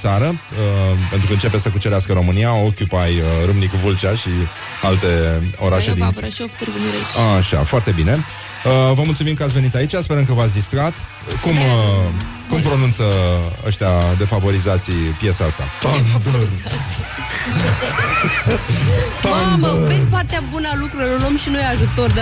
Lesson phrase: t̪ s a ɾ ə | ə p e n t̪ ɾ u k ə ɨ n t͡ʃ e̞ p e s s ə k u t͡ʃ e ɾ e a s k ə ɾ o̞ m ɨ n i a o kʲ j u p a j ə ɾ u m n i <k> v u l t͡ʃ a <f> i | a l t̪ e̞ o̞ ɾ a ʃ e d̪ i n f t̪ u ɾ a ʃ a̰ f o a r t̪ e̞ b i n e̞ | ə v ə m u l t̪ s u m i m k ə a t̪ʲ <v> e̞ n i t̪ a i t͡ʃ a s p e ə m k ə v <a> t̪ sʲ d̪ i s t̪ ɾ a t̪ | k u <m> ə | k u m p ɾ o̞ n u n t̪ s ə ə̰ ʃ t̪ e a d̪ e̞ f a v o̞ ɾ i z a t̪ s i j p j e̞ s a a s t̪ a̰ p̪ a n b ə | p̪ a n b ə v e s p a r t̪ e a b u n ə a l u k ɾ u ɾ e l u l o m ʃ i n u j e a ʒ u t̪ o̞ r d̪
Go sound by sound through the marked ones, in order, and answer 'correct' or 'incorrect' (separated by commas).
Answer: correct, incorrect, correct, correct, correct